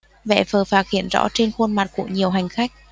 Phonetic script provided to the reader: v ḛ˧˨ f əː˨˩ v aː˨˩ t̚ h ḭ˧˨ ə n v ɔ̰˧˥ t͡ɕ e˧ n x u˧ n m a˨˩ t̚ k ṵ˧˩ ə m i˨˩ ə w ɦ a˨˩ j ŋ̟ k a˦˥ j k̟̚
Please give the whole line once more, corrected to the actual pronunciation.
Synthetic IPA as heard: v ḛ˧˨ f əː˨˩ f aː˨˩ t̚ h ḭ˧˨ ə n z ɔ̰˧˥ t͡ɕ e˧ n x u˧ n m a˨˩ t̚ k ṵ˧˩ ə ɲ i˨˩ ə w ɦ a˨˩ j ŋ̟ x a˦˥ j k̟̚

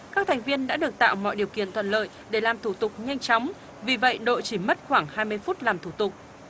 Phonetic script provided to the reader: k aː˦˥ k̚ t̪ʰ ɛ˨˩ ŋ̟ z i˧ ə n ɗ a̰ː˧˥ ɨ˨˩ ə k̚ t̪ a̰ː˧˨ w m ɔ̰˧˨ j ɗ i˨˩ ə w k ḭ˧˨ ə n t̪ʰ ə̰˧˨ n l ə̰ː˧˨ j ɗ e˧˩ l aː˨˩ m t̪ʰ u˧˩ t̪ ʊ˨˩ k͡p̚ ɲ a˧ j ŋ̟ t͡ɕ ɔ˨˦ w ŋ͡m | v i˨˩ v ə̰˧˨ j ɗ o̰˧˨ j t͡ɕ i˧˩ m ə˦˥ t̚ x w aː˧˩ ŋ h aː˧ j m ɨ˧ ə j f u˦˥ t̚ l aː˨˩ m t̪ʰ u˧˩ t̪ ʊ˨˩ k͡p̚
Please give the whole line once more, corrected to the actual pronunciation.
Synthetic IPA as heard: k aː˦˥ k̚ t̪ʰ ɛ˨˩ ŋ̟ v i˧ ə n ɗ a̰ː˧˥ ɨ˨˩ ə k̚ t̪ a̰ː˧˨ w m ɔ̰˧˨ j ɗ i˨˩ ə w k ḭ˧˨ ə n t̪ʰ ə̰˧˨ n l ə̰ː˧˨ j ɗ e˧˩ l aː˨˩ m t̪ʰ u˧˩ t̪ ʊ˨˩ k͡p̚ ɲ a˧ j ŋ̟ t͡ɕ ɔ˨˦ w ŋ͡m | v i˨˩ v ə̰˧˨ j ɗ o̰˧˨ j t͡ɕ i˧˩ m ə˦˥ t̚ x w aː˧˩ ŋ h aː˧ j m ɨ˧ ə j f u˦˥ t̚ l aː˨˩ m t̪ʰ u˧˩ t̪ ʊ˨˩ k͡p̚

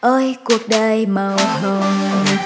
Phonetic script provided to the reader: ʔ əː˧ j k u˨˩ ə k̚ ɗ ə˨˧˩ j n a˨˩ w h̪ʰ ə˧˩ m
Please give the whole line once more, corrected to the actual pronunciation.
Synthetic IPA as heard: ʔ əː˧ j k u˨˩ ə k̚ ɗ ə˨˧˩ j m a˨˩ w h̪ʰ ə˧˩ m

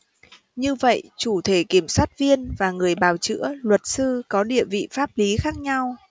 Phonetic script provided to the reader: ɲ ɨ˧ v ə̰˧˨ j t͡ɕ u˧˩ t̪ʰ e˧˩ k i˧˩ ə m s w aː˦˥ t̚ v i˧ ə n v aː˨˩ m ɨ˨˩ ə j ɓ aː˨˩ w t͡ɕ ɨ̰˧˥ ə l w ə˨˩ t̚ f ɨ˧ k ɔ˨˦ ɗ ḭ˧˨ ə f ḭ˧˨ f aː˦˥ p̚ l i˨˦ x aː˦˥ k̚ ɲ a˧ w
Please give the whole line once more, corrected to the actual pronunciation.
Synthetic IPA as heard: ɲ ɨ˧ v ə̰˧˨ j t͡ɕ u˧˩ t̪ʰ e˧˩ k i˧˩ ə m s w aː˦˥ t̚ v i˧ ə n v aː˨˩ ŋ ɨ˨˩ ə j ɓ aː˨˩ w t͡ɕ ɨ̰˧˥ ə l w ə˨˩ t̚ s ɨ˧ k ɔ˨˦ ɗ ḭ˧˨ ə v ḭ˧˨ f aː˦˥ p̚ l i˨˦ x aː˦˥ k̚ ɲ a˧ w

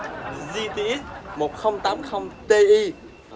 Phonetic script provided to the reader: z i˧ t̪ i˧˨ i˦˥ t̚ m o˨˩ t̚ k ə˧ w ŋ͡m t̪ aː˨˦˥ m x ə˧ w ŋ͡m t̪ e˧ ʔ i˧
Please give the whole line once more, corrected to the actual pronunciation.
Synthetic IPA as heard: z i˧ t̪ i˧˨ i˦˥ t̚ m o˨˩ t̚ x ə˧ w ŋ͡m t̪ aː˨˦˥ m x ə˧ w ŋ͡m t̪ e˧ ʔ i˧

